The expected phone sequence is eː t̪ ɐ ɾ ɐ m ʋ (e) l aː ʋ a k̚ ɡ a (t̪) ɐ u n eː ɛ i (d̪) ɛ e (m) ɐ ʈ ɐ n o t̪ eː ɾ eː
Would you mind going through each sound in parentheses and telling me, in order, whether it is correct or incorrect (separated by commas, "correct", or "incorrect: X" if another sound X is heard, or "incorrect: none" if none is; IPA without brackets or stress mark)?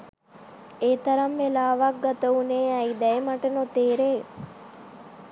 correct, correct, correct, correct